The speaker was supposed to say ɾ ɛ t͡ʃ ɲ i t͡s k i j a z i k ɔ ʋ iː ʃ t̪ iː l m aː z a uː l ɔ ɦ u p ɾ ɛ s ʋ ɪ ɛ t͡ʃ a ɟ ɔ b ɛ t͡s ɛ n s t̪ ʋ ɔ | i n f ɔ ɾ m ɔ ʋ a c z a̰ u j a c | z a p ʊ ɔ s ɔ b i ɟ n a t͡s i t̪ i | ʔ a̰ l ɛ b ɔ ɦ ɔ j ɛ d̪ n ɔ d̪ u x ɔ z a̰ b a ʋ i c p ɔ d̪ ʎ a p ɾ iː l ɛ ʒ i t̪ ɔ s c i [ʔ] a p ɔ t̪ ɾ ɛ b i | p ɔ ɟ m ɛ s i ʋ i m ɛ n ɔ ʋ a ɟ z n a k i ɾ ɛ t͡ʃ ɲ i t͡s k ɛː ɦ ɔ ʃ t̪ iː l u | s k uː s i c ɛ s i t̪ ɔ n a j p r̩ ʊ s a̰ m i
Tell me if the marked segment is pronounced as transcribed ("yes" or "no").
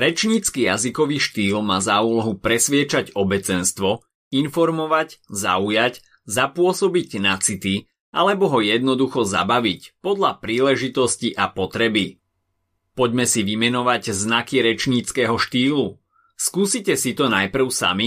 yes